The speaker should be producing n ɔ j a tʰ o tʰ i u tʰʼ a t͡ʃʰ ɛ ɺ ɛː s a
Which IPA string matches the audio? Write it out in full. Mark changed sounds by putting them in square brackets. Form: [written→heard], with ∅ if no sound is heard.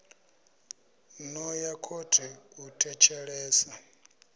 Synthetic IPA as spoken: n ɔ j a [tʰ→kʰ] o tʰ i u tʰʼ [a→ɛ] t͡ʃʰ ɛ ɺ ɛː s a